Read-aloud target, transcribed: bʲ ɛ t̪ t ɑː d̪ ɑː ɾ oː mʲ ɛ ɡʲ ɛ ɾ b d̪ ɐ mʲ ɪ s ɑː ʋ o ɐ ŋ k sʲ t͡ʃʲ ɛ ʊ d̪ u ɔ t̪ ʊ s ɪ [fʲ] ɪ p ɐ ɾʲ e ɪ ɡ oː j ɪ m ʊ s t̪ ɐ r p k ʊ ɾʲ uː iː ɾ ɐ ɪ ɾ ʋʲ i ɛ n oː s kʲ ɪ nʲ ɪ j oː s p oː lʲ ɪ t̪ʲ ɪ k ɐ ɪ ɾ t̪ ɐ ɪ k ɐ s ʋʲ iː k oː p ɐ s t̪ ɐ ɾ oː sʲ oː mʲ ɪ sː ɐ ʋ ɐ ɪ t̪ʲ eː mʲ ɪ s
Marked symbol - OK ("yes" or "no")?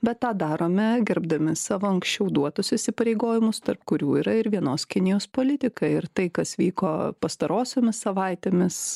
no